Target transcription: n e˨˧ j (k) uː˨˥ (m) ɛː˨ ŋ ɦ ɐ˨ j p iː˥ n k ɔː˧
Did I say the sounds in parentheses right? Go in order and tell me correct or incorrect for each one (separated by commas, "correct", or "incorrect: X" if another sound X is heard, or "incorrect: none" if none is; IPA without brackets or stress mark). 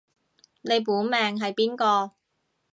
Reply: incorrect: p, correct